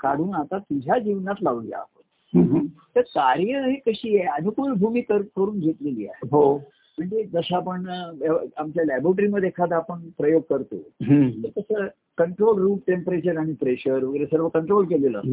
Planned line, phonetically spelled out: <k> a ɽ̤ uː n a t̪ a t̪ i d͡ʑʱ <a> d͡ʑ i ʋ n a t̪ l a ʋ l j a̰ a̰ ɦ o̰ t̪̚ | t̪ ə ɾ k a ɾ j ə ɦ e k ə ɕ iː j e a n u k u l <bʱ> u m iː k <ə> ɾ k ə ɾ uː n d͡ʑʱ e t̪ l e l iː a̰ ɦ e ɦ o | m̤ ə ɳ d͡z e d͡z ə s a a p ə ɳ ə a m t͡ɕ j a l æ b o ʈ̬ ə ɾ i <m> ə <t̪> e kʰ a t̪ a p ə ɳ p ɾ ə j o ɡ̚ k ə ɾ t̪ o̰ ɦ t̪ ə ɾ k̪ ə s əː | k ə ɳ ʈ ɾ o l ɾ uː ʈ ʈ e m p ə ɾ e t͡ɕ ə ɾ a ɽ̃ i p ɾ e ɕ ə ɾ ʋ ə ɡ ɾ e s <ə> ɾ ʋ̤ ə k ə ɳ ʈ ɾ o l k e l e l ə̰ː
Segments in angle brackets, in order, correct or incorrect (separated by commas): correct, correct, correct, correct, correct, incorrect, correct